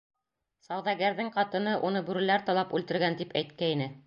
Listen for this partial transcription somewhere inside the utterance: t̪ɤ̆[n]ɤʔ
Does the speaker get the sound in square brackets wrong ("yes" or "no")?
no